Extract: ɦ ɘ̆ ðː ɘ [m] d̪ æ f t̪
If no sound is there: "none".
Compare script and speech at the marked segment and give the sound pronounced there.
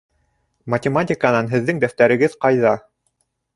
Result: ŋ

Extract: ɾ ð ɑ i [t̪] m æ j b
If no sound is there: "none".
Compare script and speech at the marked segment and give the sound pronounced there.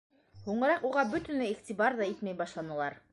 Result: t̪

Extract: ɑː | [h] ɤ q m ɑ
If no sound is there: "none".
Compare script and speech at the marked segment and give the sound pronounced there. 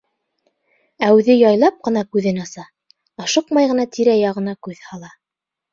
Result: ʃ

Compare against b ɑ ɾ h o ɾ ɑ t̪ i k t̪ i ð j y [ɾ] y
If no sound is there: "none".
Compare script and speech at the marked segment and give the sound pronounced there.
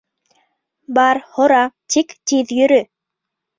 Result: ɾ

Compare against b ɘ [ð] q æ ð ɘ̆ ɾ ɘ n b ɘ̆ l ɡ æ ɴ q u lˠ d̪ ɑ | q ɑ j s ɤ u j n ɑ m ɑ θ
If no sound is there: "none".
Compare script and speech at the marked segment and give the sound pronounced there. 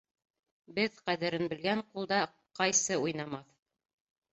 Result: ð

